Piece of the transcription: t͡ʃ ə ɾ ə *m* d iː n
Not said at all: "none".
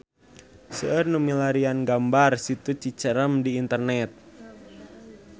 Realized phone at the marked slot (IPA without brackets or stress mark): m